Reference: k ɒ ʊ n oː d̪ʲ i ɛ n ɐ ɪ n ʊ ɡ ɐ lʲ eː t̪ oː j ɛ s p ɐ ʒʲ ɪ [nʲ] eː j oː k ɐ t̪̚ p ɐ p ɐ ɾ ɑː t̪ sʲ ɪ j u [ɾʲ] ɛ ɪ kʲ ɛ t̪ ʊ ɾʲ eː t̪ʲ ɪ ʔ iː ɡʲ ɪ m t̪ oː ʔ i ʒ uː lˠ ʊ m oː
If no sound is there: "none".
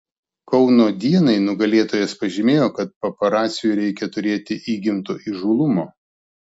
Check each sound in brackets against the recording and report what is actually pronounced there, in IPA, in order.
mʲ, ɾʲ

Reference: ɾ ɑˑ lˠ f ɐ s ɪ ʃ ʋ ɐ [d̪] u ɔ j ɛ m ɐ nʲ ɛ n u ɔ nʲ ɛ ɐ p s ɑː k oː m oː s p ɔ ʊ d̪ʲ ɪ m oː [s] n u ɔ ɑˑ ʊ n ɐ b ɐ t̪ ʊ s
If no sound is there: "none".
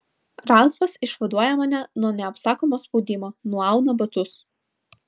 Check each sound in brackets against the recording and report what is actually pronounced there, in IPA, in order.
d̪, none

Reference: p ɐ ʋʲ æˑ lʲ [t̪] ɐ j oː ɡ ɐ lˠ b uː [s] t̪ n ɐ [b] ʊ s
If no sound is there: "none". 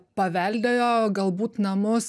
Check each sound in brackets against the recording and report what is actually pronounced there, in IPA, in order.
d̪, none, m

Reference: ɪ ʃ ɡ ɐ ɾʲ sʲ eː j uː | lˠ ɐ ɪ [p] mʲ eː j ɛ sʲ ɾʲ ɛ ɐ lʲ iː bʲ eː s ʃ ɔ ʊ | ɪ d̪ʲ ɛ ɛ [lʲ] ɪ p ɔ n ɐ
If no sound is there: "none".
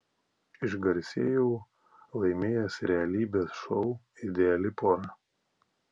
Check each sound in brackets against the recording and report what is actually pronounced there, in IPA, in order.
none, lʲ

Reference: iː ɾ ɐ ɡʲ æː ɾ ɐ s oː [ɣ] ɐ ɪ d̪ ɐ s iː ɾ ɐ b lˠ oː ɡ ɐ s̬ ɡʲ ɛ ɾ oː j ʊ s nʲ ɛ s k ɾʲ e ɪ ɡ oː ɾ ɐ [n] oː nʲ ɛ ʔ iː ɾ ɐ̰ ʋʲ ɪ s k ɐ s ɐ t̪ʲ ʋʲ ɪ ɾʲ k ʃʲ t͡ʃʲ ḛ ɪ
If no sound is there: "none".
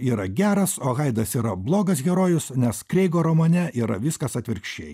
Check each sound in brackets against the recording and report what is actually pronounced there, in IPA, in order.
ɣ, m

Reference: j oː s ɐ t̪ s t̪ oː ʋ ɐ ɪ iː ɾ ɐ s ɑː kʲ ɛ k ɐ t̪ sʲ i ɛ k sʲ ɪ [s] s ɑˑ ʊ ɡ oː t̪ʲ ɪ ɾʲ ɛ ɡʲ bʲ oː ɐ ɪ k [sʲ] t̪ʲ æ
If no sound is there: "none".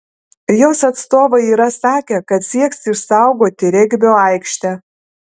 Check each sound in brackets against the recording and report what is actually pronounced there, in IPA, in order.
ʃ, ʃʲ

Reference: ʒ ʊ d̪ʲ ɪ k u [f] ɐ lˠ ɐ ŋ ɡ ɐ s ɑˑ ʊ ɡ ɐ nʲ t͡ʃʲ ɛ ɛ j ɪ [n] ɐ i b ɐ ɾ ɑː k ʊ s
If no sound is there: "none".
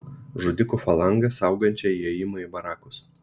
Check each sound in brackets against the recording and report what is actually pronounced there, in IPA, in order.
f, m

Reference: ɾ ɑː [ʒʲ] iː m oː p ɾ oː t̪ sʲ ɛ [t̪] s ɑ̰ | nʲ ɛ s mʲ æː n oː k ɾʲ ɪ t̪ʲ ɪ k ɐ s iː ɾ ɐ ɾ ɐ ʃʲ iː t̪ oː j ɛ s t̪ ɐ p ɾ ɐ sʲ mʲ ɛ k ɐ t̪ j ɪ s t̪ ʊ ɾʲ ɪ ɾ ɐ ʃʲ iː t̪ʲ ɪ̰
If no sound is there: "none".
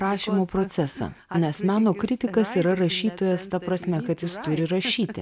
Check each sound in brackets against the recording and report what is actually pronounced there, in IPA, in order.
ʃʲ, none

